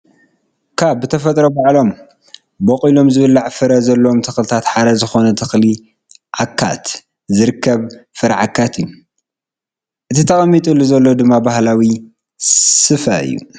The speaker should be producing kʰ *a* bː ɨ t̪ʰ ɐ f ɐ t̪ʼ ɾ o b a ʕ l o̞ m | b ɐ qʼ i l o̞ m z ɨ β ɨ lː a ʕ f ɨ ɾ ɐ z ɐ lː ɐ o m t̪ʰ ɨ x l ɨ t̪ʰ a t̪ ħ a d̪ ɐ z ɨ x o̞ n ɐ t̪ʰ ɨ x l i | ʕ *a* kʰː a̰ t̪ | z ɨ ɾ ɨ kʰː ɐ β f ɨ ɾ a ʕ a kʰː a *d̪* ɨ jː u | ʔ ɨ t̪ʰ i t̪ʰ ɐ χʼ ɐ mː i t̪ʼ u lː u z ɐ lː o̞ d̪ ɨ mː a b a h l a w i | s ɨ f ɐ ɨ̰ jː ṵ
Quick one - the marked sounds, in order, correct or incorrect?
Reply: correct, correct, incorrect

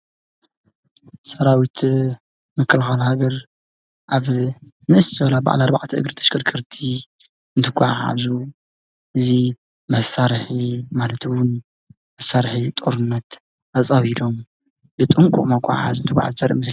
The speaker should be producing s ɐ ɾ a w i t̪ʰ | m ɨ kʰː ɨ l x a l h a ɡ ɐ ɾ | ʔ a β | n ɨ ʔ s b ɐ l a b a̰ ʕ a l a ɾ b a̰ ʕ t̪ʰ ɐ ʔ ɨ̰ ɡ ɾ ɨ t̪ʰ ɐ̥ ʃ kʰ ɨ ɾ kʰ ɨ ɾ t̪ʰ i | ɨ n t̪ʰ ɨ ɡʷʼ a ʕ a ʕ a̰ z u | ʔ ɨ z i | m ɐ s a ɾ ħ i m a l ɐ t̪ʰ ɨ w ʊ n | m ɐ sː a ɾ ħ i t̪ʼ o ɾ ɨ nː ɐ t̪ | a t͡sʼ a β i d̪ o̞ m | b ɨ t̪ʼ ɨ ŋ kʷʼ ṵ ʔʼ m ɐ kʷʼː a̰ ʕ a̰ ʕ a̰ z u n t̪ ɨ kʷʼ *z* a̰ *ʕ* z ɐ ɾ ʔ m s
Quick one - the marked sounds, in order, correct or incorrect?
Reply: incorrect, incorrect

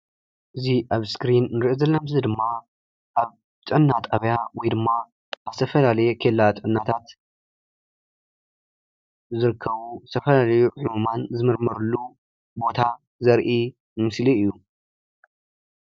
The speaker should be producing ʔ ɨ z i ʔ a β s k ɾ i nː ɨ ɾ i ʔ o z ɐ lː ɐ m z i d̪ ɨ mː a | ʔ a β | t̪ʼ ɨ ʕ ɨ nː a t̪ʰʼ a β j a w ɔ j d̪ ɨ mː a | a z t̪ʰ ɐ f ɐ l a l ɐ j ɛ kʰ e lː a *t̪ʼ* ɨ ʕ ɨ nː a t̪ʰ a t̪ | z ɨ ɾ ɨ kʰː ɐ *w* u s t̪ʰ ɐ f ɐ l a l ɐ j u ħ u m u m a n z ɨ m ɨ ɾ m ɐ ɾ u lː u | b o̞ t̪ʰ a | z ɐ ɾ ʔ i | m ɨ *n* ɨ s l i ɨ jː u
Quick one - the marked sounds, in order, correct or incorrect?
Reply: correct, incorrect, incorrect

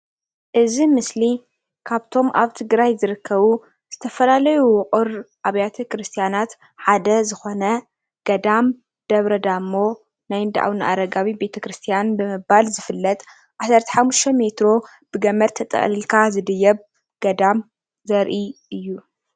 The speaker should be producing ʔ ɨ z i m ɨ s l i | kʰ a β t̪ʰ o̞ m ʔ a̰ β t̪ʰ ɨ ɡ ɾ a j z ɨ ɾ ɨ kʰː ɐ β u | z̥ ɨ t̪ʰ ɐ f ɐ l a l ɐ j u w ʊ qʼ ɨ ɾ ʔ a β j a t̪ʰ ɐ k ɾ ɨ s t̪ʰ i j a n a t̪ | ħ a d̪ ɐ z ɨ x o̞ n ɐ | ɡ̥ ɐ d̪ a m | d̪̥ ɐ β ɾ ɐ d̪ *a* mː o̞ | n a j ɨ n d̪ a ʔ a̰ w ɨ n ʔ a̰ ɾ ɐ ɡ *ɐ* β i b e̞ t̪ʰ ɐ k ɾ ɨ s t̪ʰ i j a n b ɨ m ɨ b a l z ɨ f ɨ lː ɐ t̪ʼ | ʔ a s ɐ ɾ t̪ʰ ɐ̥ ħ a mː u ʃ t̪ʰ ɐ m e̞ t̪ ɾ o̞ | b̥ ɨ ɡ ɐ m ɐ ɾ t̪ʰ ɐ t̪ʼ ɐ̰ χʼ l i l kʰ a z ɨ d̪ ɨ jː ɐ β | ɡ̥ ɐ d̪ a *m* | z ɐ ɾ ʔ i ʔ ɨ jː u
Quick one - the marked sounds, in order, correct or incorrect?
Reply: correct, incorrect, correct

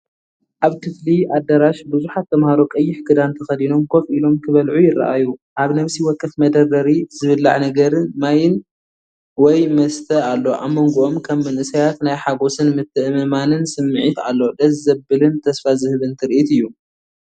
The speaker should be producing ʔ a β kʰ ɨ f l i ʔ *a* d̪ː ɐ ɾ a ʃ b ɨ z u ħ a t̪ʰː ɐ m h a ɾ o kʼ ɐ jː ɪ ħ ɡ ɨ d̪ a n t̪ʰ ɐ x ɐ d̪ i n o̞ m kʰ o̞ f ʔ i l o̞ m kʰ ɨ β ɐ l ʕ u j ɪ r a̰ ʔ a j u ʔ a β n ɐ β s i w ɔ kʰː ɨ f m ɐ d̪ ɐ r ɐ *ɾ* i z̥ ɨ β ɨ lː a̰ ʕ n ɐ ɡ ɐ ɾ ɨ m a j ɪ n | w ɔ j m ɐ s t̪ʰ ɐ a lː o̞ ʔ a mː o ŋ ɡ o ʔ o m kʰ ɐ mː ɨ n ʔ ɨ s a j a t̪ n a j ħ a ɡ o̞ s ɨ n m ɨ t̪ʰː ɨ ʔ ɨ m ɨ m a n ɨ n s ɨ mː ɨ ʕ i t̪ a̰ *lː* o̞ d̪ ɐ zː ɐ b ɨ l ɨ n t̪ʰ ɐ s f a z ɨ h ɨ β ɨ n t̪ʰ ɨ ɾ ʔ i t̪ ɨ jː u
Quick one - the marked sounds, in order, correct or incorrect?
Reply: correct, correct, correct

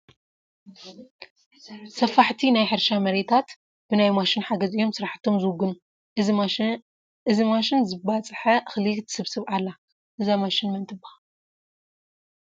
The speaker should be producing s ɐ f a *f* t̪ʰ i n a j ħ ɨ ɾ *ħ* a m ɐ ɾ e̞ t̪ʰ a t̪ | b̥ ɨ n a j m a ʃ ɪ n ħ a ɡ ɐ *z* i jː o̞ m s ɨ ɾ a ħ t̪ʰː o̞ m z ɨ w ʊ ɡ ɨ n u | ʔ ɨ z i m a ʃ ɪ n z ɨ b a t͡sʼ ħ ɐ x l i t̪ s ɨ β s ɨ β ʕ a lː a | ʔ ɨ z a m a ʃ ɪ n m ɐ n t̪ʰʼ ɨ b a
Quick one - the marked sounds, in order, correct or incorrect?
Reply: incorrect, incorrect, correct

